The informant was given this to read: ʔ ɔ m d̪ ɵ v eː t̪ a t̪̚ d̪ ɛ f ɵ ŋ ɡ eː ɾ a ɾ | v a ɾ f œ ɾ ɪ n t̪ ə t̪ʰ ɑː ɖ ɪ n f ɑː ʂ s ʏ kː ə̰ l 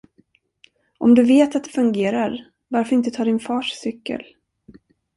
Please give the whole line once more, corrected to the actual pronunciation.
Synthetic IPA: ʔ ɔ m d̪ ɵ v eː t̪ a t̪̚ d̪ ɛ f ɵ ŋ ɡ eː ɾ a ɾ | v a ɾ f œ ɾ ɪ n t̪ ə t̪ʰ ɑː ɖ ɪ n f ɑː ʂ s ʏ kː ə̰ l